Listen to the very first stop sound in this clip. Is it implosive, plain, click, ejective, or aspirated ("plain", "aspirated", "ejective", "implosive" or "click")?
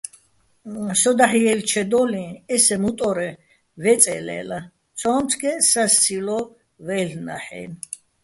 plain